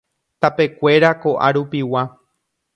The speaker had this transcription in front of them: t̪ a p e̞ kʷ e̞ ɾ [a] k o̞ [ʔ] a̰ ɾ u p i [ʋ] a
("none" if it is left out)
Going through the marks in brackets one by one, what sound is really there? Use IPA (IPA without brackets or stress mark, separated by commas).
a, ʔ, w